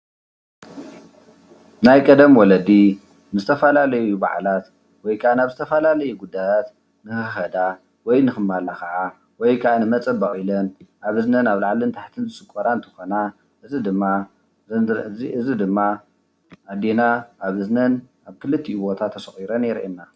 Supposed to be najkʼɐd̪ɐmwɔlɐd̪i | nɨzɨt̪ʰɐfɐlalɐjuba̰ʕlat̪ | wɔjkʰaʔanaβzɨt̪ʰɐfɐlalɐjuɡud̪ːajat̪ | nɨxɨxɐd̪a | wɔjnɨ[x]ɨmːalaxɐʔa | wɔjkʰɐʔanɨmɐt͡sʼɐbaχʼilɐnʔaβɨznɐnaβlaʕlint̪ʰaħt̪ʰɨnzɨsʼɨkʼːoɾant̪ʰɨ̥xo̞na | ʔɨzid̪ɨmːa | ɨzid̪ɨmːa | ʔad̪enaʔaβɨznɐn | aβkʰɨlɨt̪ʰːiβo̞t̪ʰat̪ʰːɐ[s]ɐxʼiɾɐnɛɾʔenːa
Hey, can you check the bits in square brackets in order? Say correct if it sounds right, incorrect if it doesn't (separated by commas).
correct, correct